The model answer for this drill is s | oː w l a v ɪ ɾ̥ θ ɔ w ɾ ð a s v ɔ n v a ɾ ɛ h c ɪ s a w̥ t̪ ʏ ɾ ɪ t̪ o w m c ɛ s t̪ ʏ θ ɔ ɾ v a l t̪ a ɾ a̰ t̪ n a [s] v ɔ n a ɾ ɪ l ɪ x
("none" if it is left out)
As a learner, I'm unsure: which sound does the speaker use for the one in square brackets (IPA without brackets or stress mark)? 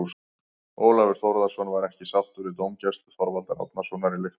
s